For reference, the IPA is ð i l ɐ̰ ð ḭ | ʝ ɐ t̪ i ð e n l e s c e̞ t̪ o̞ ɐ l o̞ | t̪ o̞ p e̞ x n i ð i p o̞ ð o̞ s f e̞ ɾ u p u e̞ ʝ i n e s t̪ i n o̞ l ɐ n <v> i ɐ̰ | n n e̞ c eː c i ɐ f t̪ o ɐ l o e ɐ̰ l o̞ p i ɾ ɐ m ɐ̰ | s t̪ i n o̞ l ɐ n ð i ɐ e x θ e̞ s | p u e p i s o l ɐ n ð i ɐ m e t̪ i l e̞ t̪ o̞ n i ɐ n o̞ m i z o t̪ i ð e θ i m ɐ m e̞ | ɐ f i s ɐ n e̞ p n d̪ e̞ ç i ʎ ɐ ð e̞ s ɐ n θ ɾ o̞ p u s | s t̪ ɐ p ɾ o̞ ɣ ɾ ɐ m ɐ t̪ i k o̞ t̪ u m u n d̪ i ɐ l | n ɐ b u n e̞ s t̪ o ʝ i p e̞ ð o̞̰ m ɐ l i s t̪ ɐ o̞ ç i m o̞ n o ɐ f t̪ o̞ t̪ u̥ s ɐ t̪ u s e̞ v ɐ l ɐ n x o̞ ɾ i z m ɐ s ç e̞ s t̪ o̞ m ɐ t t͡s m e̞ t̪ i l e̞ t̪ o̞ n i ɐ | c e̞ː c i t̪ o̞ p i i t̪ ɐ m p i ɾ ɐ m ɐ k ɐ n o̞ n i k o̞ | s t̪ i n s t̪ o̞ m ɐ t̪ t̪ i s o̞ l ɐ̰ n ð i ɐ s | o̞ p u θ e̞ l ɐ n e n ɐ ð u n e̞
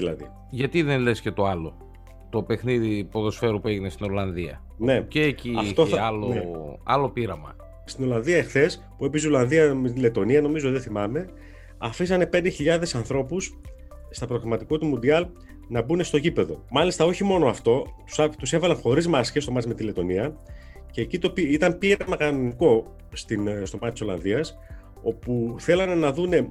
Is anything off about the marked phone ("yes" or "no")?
yes